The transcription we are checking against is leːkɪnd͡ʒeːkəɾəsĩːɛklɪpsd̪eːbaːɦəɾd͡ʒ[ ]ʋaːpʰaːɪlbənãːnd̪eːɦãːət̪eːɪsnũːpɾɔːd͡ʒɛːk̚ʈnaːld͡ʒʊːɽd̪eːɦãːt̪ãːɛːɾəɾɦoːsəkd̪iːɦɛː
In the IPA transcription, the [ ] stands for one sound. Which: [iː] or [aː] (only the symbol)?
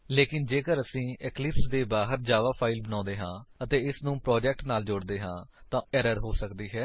aː